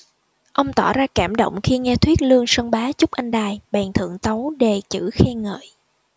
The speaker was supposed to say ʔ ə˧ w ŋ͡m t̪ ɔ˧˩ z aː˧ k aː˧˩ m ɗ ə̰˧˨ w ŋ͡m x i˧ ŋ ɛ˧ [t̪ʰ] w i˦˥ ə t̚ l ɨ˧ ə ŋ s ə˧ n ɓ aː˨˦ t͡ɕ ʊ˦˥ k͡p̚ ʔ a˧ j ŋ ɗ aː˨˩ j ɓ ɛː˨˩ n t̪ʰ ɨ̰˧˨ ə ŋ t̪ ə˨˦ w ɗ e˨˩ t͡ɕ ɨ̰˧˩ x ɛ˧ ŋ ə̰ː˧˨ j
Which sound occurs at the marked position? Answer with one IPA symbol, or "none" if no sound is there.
t̪ʰ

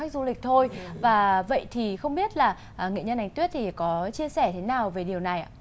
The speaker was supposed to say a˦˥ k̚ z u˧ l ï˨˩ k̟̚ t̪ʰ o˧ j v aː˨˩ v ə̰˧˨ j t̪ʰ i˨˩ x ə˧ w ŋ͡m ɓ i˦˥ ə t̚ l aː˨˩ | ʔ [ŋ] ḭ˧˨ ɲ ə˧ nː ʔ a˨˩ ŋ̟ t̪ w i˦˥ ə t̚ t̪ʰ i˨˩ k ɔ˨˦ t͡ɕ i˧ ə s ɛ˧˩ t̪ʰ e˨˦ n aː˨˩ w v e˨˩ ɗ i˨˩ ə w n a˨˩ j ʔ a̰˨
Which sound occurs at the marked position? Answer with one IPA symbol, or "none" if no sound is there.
ŋ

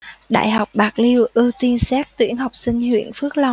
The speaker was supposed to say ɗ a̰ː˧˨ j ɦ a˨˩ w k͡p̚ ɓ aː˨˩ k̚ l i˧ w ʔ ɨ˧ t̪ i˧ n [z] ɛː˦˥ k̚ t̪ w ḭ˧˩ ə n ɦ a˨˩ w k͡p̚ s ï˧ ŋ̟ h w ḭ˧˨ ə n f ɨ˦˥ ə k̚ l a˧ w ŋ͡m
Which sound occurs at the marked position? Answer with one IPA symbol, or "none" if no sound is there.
s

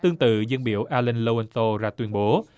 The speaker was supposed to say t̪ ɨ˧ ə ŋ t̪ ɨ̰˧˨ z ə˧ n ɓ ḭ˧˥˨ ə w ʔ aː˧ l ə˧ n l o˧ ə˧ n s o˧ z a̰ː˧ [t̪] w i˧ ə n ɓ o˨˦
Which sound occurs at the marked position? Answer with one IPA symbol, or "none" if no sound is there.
t̪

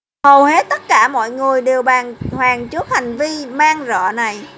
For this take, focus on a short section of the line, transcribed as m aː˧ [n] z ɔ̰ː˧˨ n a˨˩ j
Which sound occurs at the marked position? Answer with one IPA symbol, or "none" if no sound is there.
ŋ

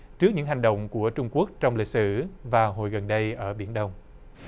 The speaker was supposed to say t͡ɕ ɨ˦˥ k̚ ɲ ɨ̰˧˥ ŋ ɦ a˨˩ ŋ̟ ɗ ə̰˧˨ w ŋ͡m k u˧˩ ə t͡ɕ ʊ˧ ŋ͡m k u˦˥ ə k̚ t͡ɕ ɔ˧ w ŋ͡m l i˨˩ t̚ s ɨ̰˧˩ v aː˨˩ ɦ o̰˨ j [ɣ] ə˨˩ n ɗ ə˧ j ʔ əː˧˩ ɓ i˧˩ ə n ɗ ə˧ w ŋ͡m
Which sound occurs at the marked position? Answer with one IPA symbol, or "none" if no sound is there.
ɣ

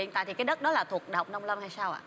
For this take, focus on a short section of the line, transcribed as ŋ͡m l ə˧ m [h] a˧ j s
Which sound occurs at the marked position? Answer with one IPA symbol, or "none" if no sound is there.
h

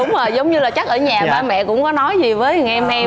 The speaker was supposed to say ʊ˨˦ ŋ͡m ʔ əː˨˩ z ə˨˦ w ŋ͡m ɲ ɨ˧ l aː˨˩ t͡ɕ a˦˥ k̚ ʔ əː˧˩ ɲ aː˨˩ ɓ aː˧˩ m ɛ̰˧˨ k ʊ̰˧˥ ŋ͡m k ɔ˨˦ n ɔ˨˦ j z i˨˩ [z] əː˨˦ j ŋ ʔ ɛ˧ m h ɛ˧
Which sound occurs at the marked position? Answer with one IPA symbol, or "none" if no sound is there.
v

